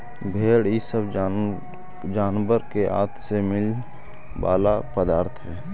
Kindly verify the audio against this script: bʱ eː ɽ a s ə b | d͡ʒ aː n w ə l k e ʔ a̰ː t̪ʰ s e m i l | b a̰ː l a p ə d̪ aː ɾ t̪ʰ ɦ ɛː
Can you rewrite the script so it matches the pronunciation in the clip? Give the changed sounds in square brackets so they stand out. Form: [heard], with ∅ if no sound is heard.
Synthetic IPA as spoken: bʱ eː ɽ [i] s ə b | d͡ʒ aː n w ə [ɾ] k e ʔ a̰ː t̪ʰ s e m [ɪ] l | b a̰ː l a p ə d̪ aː ɾ t̪ʰ ɦ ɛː